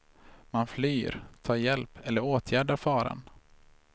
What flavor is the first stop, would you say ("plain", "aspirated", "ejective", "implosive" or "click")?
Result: aspirated